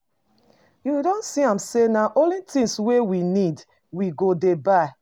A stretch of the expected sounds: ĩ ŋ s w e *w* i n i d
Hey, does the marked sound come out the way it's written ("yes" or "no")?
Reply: yes